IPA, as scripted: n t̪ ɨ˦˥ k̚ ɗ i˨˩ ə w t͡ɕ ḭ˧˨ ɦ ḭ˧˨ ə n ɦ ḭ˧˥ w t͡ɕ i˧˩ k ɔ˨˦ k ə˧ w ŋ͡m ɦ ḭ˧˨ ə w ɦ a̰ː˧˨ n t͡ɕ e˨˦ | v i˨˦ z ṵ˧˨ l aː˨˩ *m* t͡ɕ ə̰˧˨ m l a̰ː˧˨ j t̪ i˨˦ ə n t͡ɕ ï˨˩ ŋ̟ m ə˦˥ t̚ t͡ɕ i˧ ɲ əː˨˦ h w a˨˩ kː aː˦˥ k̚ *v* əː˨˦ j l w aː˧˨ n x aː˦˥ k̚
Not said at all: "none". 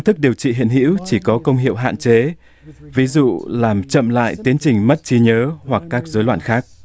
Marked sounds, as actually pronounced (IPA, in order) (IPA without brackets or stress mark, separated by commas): m, z